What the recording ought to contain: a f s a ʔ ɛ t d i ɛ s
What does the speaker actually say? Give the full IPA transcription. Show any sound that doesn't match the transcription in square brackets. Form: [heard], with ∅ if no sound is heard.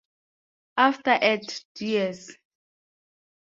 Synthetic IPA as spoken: a f [t] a ʔ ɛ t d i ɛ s

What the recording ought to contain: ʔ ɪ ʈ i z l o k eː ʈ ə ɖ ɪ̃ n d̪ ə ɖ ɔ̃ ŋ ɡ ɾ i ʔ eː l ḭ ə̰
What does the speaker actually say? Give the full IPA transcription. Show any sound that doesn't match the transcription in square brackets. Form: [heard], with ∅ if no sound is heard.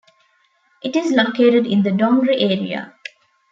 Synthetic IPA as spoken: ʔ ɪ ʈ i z l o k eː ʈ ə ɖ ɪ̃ n d̪ ə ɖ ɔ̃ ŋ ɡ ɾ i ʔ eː [ɾ] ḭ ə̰

